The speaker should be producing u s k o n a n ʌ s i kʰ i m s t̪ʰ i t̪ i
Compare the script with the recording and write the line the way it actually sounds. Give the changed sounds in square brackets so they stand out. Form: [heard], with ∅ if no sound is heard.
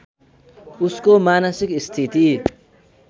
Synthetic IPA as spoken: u s k o [m] a n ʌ s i [k] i [∅] s t̪ʰ i t̪ i